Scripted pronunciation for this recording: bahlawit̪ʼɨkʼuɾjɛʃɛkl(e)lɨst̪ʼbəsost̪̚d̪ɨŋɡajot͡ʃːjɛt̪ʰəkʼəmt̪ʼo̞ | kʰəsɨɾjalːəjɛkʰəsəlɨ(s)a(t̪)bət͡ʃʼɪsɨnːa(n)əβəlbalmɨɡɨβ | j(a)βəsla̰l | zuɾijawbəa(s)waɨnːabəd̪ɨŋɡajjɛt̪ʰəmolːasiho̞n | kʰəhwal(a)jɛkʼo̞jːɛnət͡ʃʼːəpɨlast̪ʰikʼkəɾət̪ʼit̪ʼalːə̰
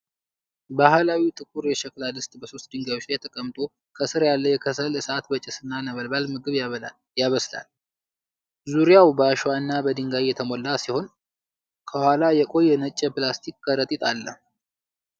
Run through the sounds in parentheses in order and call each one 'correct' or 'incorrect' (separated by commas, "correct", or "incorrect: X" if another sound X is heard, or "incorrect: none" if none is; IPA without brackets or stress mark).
incorrect: a, correct, correct, correct, correct, incorrect: ʃ, correct